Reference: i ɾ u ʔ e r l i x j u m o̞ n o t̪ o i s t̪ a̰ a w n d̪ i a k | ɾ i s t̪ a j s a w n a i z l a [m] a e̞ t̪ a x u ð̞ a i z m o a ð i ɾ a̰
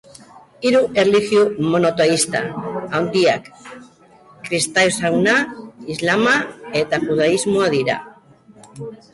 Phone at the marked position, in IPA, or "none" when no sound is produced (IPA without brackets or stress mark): m